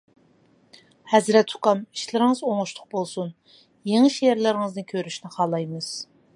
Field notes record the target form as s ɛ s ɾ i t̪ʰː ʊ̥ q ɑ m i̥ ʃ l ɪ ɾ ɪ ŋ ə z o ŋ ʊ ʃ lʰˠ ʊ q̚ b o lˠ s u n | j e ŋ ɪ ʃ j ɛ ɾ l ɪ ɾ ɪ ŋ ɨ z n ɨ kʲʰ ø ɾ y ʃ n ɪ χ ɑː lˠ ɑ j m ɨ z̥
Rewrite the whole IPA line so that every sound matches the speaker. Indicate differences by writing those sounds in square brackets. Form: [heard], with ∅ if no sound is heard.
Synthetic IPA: [h] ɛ [z] ɾ [ɛ] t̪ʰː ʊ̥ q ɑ m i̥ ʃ l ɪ ɾ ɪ ŋ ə z o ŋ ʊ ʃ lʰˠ ʊ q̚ b o lˠ s u n | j e ŋ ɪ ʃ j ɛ ɾ l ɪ ɾ ɪ ŋ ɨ z n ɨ kʲʰ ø ɾ y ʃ n ɪ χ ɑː lˠ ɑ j m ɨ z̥